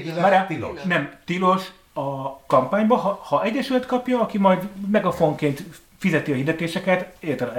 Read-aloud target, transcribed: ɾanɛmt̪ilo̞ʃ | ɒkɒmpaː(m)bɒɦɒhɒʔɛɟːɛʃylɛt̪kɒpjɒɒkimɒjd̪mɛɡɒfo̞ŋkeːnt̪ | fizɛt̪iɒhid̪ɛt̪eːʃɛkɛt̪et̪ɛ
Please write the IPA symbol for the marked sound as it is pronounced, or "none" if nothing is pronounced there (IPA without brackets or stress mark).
ɲ